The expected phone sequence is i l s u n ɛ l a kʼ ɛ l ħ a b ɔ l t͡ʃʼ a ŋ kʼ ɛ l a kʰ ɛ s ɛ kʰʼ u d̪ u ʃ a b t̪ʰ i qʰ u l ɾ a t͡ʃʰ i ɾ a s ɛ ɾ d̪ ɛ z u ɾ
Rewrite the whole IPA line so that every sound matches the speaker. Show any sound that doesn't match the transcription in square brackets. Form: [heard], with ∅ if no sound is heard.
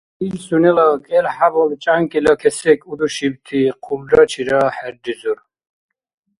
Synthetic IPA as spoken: i l s u n ɛ l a kʼ ɛ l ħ a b ɔ l t͡ʃʼ a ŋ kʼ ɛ l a kʰ ɛ s ɛ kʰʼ u d̪ u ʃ [i] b t̪ʰ i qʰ u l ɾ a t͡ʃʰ i ɾ a [ħ] ɛ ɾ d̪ [i] z u ɾ